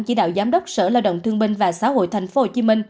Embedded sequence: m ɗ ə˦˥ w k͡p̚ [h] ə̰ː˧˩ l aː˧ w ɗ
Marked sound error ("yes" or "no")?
yes